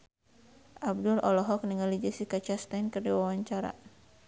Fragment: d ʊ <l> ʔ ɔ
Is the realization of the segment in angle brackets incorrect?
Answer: no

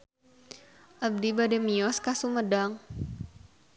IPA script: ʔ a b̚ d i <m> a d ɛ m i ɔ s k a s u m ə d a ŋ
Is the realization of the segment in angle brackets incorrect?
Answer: yes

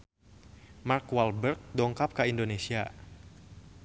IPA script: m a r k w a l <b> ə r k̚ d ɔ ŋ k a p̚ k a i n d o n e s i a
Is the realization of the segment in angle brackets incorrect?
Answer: no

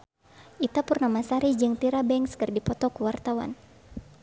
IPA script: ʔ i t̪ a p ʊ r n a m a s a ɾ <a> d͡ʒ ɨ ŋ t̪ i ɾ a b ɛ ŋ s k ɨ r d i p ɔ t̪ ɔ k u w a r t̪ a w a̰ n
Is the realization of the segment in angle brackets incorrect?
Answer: yes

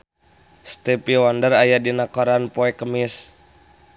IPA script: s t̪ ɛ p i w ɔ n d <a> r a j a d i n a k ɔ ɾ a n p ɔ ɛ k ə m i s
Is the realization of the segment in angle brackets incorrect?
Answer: yes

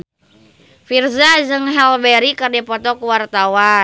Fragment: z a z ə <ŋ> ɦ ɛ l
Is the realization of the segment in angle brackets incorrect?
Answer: no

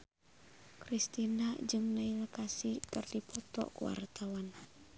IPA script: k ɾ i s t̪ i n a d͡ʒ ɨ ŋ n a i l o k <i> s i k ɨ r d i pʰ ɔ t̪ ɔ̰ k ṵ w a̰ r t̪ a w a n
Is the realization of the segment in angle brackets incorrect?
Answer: yes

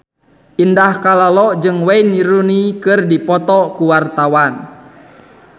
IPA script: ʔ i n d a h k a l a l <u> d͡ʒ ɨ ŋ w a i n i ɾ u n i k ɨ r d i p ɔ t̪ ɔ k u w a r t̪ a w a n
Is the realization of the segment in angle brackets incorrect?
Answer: yes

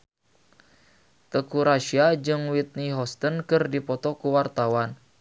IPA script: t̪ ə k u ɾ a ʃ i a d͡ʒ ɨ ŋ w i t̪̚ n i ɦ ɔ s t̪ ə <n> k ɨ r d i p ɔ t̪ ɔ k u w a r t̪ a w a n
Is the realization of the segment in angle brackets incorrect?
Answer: no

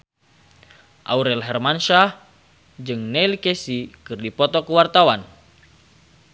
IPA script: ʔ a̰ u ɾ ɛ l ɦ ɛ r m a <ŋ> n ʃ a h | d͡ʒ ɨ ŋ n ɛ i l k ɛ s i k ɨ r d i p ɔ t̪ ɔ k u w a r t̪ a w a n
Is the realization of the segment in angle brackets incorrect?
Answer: yes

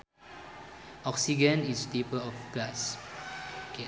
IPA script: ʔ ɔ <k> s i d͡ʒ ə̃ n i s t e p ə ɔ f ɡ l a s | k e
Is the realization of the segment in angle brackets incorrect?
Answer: no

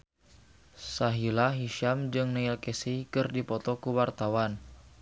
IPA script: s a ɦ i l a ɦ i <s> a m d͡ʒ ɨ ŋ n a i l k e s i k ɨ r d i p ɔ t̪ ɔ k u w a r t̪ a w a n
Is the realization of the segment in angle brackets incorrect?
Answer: yes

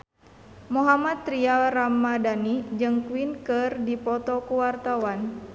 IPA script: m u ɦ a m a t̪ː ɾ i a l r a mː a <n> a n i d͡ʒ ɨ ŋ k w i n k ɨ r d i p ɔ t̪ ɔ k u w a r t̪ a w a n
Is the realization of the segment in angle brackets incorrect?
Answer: yes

